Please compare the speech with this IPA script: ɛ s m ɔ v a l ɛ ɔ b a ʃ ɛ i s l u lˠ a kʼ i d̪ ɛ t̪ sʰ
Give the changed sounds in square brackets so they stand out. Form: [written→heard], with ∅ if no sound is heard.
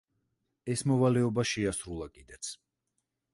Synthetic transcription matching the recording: ɛ s m ɔ v a l ɛ ɔ b a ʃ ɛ [i→a] s [l→ɾ] u lˠ a kʼ i d̪ ɛ t̪ sʰ